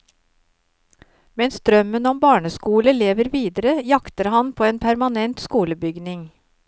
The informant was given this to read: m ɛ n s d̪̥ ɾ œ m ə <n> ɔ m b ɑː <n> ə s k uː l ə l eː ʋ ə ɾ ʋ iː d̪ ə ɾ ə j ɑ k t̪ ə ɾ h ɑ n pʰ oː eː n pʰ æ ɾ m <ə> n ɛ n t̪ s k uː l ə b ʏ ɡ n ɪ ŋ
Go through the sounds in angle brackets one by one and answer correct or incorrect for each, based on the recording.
correct, incorrect: ɳ, incorrect: ɑ

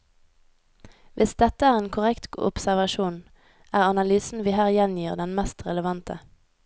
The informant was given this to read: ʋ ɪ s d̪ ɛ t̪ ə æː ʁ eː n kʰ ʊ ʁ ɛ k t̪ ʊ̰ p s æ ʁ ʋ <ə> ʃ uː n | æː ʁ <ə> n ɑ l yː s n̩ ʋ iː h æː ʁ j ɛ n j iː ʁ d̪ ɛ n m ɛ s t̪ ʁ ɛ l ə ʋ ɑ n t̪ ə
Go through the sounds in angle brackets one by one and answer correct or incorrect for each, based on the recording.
incorrect: ɑ, incorrect: ɑ

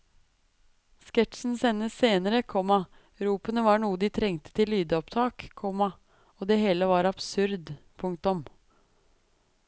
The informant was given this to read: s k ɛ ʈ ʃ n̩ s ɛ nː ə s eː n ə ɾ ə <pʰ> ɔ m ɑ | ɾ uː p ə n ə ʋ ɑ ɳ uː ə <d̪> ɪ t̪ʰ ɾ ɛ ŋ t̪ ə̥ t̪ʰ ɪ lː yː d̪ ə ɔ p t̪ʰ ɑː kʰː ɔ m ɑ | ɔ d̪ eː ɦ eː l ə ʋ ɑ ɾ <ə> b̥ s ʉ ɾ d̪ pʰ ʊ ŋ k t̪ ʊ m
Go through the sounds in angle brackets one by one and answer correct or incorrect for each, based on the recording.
incorrect: kʰ, correct, incorrect: ɑ

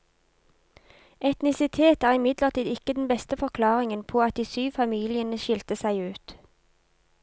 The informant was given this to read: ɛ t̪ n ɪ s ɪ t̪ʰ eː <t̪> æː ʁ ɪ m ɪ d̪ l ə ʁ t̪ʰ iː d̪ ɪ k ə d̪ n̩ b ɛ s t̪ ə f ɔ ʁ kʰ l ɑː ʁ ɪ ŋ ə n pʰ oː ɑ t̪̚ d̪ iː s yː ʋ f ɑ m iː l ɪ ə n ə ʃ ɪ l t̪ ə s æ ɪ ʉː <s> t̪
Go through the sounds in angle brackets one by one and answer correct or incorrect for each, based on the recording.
correct, incorrect: none

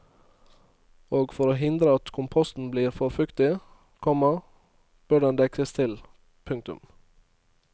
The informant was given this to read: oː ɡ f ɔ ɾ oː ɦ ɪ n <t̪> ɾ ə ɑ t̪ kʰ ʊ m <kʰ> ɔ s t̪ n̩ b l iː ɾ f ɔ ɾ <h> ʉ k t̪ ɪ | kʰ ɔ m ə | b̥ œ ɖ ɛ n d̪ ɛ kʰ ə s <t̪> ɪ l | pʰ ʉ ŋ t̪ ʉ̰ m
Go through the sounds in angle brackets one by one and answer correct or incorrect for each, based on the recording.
incorrect: d̪, incorrect: pʰ, incorrect: f, incorrect: t̪ʰ

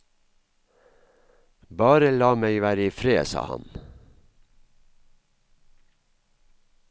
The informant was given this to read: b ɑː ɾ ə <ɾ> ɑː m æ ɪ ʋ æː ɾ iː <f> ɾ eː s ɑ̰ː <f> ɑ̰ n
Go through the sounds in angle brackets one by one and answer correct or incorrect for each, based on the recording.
incorrect: l, correct, incorrect: h

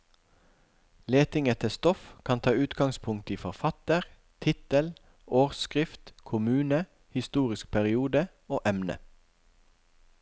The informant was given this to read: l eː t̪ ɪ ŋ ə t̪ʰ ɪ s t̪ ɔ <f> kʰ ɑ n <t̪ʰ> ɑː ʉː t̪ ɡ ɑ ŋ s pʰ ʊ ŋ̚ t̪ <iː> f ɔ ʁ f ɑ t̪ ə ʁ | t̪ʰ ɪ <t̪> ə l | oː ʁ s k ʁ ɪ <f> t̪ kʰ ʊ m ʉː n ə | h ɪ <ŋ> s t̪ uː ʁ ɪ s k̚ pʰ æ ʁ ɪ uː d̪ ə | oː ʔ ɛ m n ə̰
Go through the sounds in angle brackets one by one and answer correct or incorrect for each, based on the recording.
correct, correct, correct, correct, correct, incorrect: none

